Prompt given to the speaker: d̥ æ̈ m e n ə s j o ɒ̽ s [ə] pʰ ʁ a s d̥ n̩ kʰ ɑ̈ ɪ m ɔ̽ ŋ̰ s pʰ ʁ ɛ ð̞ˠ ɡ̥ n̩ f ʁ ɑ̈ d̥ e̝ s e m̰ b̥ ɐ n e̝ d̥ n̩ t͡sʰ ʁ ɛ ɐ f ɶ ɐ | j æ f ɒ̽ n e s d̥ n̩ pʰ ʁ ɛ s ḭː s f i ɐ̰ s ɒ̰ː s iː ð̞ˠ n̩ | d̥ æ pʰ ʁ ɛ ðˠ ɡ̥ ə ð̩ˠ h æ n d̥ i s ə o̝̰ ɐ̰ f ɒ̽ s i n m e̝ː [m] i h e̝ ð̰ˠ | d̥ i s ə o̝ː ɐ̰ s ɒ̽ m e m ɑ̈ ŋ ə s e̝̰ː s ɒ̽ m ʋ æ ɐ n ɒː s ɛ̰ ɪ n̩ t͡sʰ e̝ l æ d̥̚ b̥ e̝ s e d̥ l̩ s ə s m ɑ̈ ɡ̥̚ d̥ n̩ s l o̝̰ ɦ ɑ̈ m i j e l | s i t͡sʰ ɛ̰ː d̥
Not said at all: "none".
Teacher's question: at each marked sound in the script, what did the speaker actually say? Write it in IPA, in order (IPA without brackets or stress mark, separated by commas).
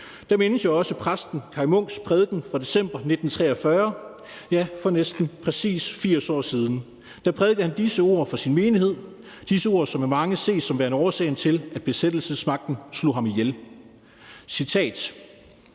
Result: ə, n